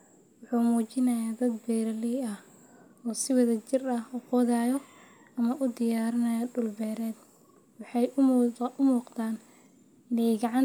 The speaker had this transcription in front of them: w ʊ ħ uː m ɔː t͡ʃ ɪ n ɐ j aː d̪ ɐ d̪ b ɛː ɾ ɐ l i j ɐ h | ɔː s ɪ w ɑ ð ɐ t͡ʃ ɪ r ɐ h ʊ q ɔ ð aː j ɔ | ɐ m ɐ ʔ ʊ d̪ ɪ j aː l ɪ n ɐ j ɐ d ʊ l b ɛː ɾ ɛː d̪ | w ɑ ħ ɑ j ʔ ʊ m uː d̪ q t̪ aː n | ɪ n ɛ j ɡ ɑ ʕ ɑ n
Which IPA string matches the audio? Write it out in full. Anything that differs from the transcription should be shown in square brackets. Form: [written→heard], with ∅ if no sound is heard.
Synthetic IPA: w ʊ ħ uː m [ɔː→uː] t͡ʃ ɪ n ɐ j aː d̪ ɐ d̪ b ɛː ɾ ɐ l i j ɐ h | ɔː s ɪ w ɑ ð ɐ t͡ʃ ɪ r ɐ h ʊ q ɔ ð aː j ɔ | ɐ m ɐ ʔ ʊ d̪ ɪ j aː [l→ɾ] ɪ n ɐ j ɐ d ʊ l b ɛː ɾ ɛː d̪ | w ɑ ħ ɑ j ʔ ʊ m uː [d̪→∅] q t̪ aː n | ɪ n ɛ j ɡ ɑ ʕ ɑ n